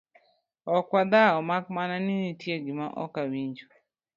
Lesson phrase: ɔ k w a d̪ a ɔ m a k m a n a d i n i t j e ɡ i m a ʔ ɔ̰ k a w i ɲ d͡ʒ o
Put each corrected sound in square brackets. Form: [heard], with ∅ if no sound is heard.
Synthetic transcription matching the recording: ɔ k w a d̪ a ɔ m a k m a n a [n] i n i t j e ɡ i m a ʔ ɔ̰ k a w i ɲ d͡ʒ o